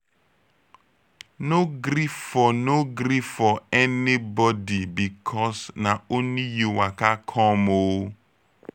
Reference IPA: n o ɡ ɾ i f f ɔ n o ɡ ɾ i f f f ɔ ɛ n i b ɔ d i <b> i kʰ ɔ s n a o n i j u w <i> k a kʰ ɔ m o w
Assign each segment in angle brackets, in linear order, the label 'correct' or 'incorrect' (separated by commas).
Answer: correct, incorrect